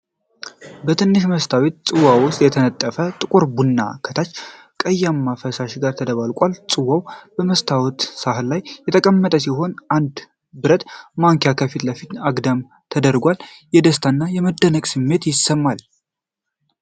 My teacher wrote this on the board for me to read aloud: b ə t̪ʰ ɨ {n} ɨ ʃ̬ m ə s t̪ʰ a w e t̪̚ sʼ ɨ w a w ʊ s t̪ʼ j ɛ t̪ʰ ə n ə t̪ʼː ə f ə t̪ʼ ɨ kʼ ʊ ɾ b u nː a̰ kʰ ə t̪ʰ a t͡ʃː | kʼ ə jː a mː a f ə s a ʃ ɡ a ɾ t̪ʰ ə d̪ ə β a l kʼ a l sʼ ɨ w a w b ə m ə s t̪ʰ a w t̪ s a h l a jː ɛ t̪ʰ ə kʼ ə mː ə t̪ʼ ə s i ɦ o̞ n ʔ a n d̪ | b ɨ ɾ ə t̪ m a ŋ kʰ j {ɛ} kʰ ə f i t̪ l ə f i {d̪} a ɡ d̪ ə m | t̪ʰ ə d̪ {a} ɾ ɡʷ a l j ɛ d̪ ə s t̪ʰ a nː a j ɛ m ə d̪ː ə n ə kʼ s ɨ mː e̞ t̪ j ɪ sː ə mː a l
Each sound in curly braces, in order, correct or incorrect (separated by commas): incorrect, incorrect, incorrect, incorrect